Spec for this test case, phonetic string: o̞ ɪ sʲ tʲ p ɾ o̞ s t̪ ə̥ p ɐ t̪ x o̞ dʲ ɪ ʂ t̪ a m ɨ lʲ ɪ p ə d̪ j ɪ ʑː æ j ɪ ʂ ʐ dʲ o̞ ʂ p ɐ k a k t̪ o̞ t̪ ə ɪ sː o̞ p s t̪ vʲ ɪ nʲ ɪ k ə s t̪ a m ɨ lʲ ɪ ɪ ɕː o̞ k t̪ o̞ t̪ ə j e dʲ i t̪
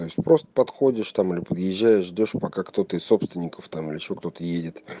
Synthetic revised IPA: o̞ ɪ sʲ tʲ p ɾ o̞ s t̪ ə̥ p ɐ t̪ x o̞ dʲ ɪ ʂ t̪ a m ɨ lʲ ɪ p ə d̪ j ɪ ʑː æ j ɪ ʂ ʐ dʲ o̞ ʂ p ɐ k a k t̪ o̞ t̪ ə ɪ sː o̞ p s t̪ vʲ ɪ nʲ ɪ k ə f t̪ a m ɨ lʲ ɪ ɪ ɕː o̞ k t̪ o̞ t̪ ə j e dʲ ɪ t̪